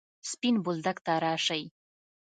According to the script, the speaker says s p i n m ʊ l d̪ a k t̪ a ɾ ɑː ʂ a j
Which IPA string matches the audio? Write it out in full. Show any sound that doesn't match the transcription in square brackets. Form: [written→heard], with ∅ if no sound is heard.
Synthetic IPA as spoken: s p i n [m→b] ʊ l d̪ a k t̪ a ɾ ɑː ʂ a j